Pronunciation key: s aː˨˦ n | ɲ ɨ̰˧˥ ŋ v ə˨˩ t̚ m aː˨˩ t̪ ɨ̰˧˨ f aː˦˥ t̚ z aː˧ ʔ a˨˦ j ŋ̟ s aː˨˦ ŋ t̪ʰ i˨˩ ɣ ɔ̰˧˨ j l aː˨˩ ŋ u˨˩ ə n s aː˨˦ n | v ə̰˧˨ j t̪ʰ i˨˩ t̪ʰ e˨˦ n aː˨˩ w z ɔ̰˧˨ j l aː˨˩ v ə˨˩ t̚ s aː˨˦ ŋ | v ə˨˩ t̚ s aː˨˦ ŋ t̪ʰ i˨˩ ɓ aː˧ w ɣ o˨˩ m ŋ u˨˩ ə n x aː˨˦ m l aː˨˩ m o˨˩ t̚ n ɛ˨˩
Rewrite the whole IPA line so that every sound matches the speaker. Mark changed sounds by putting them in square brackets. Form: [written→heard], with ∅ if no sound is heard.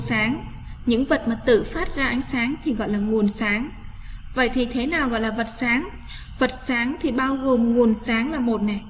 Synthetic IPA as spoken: s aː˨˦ [n→ŋ] | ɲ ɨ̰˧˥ ŋ v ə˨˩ t̚ m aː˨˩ t̪ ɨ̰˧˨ f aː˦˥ t̚ z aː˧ ʔ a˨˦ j ŋ̟ s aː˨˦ ŋ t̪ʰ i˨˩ ɣ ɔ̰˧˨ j l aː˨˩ ŋ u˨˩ ə n s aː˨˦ [n→ŋ] | v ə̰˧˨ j t̪ʰ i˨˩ t̪ʰ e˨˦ n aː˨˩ w [z→ɣ] ɔ̰˧˨ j l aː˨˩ v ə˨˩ t̚ s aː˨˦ ŋ | v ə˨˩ t̚ s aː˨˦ ŋ t̪ʰ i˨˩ ɓ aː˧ w ɣ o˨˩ m ŋ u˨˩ ə n [x→s] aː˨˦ [m→ŋ] l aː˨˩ m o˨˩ t̚ n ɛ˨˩